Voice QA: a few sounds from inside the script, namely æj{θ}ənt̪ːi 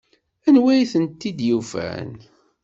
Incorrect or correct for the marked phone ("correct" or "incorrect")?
correct